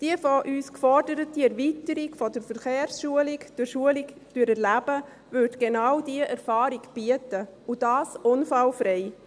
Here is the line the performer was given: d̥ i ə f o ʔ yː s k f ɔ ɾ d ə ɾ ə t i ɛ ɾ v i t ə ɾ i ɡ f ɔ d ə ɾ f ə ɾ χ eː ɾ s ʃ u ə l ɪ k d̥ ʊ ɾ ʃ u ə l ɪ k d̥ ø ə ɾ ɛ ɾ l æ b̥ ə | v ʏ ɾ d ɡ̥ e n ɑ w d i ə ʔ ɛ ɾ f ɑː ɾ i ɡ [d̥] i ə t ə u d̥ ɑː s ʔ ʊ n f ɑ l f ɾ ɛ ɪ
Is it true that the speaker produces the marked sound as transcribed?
no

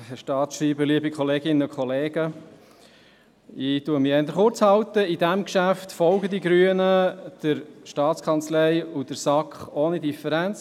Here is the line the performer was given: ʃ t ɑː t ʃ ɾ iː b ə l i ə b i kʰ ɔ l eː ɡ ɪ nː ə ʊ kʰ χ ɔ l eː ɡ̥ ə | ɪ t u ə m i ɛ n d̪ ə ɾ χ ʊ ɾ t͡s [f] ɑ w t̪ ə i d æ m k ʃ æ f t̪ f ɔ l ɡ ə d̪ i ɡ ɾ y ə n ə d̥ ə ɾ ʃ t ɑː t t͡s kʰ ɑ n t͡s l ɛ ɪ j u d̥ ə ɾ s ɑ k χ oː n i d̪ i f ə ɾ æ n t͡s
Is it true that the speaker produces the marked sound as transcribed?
no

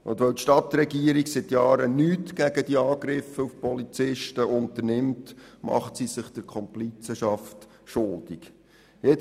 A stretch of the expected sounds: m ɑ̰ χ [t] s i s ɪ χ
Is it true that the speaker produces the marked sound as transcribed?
yes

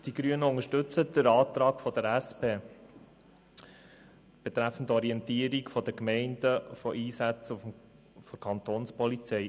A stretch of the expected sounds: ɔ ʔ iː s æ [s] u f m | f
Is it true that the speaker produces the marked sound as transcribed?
no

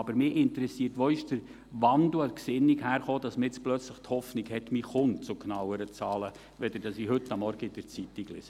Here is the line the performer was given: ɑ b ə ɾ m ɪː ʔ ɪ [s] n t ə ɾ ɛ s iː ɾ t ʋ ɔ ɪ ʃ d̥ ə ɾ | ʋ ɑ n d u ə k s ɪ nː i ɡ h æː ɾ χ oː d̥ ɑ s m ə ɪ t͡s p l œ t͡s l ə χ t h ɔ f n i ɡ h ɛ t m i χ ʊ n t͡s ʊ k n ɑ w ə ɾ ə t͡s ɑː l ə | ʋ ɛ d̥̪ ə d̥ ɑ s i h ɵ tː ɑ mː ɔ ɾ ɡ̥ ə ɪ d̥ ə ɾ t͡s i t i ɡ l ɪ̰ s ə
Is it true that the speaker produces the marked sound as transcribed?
no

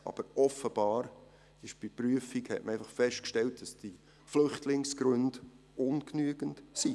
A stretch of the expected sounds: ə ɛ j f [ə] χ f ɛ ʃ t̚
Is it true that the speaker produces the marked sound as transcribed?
no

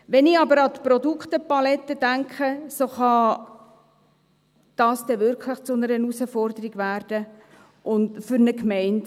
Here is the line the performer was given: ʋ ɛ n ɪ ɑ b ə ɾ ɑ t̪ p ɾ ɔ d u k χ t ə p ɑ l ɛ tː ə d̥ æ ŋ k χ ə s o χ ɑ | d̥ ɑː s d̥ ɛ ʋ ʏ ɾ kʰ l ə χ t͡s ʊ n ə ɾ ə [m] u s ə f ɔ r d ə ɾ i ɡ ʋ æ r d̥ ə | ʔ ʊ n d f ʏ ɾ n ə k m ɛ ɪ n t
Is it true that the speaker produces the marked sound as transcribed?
no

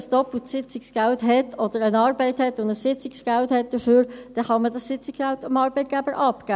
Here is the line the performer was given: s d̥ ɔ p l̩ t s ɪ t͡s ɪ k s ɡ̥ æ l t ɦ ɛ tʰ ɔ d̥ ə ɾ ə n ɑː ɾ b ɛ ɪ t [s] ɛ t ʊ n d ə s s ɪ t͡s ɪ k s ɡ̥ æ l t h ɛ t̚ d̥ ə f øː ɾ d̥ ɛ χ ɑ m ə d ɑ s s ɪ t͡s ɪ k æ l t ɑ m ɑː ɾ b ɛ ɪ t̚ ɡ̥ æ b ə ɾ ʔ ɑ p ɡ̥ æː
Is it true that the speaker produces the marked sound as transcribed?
no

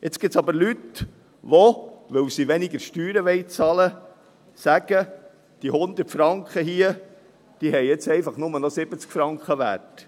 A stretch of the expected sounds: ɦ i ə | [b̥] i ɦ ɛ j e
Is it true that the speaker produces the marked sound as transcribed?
no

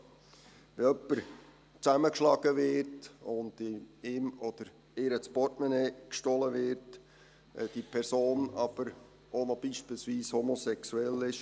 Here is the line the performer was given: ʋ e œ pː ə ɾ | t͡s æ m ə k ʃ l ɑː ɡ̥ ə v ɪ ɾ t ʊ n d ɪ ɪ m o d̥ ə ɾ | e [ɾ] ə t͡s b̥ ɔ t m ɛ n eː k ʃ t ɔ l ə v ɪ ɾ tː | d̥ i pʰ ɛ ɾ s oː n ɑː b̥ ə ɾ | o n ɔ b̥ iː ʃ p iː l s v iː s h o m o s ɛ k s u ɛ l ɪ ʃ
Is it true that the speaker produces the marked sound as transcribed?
yes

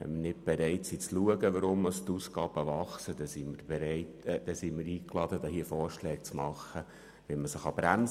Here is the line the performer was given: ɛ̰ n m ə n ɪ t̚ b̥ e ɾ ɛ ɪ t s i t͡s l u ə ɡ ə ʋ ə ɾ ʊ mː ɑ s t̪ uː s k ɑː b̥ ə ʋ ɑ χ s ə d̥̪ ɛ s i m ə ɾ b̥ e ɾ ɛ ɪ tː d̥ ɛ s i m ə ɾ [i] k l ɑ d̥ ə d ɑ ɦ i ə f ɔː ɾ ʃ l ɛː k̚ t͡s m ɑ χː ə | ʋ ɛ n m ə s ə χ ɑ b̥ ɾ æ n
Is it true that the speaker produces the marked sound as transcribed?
no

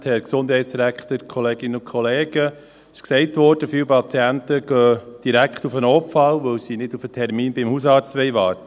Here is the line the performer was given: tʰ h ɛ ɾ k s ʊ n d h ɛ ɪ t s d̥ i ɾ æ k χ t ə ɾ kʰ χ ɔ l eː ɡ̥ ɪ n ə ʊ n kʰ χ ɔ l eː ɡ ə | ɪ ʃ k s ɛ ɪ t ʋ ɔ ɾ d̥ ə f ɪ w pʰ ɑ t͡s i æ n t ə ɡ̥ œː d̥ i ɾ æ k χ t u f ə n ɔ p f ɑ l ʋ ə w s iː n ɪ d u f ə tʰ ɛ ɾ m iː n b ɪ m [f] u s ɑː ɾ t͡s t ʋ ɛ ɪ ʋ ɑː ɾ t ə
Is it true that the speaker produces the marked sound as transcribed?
no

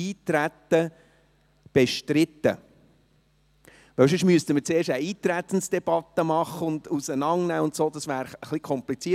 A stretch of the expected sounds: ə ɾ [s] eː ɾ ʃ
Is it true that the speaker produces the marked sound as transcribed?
no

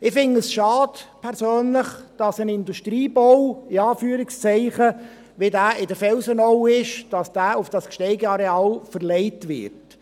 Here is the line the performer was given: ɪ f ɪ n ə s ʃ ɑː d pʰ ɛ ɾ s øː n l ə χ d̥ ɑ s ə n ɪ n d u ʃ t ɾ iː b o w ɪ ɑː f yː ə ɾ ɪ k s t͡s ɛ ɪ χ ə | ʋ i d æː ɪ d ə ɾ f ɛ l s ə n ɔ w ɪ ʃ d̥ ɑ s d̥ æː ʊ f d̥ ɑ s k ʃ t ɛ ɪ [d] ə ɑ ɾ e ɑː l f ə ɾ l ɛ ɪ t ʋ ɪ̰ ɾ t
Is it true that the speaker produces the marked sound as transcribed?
no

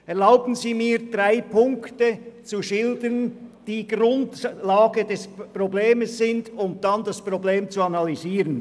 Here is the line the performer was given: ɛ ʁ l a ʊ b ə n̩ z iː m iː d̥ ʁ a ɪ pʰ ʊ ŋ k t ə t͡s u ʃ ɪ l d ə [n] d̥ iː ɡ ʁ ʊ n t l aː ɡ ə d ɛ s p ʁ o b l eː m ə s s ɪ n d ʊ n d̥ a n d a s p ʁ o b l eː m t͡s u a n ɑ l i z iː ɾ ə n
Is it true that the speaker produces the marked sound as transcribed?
yes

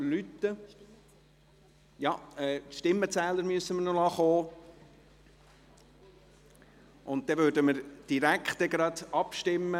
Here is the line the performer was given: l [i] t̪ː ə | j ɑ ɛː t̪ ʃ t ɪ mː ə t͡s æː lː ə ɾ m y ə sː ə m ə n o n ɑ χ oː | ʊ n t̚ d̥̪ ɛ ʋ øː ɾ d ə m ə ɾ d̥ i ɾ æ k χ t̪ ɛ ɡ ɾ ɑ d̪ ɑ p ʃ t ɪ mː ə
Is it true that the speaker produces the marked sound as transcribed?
no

